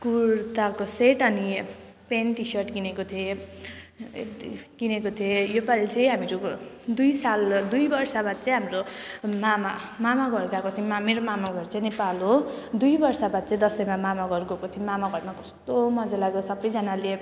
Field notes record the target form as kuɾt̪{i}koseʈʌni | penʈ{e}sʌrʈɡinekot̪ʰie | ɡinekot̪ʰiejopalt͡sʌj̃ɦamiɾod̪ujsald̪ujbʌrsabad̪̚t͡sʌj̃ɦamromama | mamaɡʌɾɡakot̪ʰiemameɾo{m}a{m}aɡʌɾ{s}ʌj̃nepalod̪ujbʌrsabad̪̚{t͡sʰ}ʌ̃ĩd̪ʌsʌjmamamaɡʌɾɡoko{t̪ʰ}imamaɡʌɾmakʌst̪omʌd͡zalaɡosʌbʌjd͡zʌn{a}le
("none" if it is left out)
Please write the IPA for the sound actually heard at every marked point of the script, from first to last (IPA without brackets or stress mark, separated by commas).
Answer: a, i, m, m, t͡s, t͡s, t̪ʰ, a